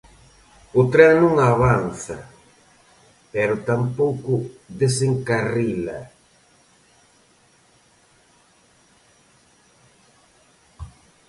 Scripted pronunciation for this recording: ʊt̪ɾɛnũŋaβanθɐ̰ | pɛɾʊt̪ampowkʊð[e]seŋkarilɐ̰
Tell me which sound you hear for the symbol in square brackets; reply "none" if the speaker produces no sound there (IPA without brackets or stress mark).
e